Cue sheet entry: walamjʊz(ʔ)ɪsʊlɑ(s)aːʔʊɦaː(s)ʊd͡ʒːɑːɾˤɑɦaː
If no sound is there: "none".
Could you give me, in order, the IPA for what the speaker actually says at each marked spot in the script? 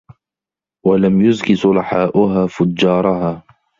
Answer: k, ħ, f

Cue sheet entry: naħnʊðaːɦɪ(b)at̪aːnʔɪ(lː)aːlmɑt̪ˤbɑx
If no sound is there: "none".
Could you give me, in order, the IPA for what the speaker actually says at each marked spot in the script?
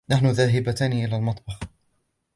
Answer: b, l

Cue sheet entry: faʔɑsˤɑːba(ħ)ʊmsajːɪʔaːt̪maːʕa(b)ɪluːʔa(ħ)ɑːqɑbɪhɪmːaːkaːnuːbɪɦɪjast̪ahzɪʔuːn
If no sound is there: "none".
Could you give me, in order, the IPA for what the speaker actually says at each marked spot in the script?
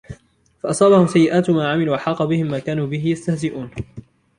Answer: h, m, ħ

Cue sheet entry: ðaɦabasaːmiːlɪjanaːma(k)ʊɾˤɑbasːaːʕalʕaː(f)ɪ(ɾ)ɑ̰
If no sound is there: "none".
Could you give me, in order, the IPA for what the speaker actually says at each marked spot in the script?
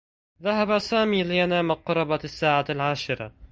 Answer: q, ʃ, ɾ

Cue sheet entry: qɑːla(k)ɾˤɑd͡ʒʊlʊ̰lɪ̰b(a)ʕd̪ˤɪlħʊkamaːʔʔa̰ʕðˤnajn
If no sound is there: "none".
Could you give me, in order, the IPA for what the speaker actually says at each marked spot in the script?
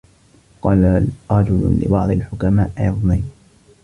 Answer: none, ɑ

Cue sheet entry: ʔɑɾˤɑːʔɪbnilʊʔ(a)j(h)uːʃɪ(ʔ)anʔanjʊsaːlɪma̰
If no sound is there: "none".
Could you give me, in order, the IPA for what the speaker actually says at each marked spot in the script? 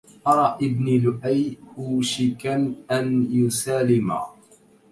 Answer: a, h, k

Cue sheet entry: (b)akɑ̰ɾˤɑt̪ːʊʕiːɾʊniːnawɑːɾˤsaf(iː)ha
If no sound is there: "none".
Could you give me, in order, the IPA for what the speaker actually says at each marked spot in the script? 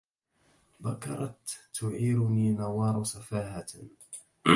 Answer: b, aː

